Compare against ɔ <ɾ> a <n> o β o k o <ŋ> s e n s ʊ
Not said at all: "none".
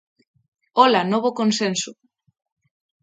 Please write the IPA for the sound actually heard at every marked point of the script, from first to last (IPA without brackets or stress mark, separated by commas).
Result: l, n, n